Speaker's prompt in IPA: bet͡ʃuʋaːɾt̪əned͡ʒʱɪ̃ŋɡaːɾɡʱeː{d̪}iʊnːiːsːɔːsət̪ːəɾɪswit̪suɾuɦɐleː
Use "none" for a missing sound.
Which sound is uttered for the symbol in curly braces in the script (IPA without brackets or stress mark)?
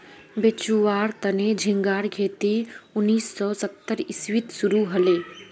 t̪